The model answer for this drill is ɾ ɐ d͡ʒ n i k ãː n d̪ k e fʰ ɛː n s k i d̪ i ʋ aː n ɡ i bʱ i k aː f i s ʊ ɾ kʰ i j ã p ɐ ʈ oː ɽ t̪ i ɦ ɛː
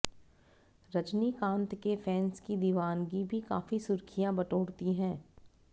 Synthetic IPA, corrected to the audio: ɾ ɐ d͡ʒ n i k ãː n t̪ k e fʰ ɛː n s k i d̪ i ʋ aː n ɡ i bʱ i k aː f i s ʊ ɾ kʰ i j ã b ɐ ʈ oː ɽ t̪ i ɦ ɛ̃ː